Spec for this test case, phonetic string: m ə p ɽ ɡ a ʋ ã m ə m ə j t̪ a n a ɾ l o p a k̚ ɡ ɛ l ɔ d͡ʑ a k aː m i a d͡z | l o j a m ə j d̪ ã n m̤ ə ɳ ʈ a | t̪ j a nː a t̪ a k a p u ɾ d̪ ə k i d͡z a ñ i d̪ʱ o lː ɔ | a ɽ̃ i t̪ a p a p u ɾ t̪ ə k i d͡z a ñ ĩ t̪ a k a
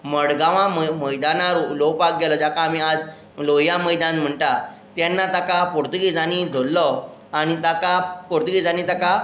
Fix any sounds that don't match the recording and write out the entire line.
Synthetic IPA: m ə ɽ ɡ a ʋ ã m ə m ə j d̪ a n a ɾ l o p a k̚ ɡ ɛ l ɔ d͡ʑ a k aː m i a d͡z | l o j a m ə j d̪ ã n m̤ ə ɳ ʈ a | t̪ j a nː a t̪ a k a p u ɾ t̪ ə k i d͡z a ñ i d̪ʱ o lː ɔ | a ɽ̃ i t̪ a k a p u ɾ t̪ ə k i d͡z a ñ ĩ t̪ a k a

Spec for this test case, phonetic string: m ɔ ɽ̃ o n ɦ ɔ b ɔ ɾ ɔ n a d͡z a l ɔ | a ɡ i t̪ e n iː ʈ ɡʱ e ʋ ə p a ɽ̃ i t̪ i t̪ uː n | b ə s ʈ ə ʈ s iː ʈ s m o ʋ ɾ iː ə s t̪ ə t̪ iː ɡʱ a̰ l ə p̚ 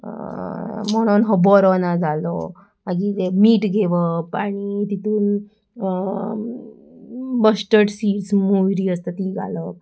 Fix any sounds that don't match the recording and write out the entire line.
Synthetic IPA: m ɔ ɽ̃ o n ɦ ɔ b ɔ ɾ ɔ n a d͡z a l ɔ | a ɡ i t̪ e m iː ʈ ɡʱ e ʋ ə p a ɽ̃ i t̪ i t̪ uː n | b ə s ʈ ə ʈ s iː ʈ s m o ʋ ɾ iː ə s t̪ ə t̪ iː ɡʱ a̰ l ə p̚

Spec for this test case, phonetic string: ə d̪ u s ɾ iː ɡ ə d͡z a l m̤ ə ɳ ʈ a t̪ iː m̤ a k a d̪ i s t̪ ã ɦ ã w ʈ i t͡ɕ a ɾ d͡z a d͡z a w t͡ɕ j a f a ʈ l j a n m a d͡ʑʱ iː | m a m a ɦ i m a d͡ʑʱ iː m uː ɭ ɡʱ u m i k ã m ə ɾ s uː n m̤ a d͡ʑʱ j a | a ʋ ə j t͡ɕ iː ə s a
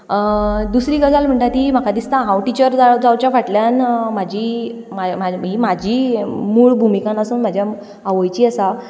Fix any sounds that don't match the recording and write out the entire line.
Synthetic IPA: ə d̪ u s ɾ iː ɡ ə d͡z a l m̤ ə ɳ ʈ a t̪ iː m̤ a k a d̪ i s t̪ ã ɦ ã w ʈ i t͡ɕ ə ɾ d͡z a d͡z a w t͡ɕ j a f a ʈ l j a n m a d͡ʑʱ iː | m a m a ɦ i m a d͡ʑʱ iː m uː ɭ bʱ u m i k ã n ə s uː n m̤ a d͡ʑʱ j a | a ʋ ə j t͡ɕ iː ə s a

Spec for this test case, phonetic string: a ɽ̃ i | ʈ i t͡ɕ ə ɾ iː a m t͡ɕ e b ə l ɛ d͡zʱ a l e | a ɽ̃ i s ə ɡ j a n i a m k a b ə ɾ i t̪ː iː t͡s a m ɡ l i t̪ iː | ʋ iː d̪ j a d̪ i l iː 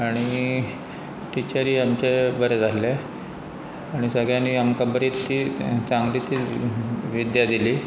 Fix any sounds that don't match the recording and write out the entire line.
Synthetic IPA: a ɽ̃ i | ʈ i t͡ɕ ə ɾ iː a m t͡ɕ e b ə ɾ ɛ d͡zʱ a l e | a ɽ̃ i s ə ɡ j a n i a m k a b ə ɾ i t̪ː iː t͡s a ŋ ɡ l i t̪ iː | ʋ i d̪ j a d̪ i l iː

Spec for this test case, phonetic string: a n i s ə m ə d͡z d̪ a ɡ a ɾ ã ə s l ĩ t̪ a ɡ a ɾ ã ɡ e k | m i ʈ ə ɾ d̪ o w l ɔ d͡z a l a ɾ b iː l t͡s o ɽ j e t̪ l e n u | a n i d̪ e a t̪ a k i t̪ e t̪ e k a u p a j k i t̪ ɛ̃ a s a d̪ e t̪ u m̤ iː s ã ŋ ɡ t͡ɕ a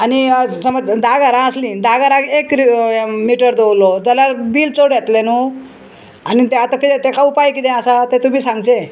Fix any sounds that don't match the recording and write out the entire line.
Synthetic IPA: a n i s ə m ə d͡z d̪ a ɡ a ɾ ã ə s l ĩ d̪ a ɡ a ɾ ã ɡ e k | m i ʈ ə ɾ d̪ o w l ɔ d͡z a l a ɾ b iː l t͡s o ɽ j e t̪ l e n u | a n i t̪ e a t̪ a k i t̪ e t̪ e k a u p a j k i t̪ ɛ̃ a s a t̪ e t̪ u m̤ iː s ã ŋ ɡ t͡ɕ e

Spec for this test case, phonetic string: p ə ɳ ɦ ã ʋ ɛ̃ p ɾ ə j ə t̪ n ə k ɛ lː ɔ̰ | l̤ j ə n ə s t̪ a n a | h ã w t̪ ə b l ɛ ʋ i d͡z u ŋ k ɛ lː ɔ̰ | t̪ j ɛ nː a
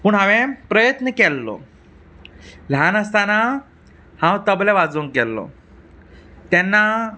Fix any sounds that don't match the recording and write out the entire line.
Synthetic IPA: p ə ɳ ɦ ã ʋ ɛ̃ p ɾ ə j ə t̪ n ə k ɛ lː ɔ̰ | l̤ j a n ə s t̪ a n a | h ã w t̪ ə b l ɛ ʋ a d͡z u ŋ k ɛ lː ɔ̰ | t̪ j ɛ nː a

